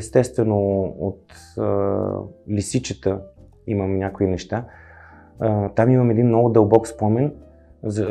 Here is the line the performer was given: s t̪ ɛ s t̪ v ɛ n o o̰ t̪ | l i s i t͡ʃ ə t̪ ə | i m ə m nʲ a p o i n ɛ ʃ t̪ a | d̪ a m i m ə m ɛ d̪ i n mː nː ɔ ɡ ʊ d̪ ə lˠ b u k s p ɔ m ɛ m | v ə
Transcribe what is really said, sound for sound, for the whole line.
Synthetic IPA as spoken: s t̪ ɛ s t̪ v ɛ n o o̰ t̪ | l i s i t͡ʃ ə t̪ ə | i m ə m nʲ a k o i n ɛ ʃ t̪ a | t̪ a m i m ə m ɛ d̪ i n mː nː ɔ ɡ ʊ d̪ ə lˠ b ɔ k s p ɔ m ɛ n | z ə